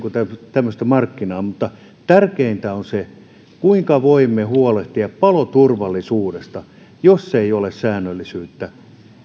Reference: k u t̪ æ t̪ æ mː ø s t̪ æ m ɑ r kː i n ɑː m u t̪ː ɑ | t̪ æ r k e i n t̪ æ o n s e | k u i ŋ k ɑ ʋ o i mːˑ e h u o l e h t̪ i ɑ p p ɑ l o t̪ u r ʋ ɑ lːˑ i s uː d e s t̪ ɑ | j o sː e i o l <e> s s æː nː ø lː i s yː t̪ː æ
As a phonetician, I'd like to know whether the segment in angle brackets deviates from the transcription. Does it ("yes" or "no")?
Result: no